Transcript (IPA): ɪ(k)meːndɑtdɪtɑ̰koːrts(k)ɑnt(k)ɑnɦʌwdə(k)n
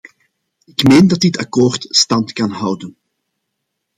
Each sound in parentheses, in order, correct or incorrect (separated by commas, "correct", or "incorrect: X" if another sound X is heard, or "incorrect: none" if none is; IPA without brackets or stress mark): correct, incorrect: t, correct, incorrect: none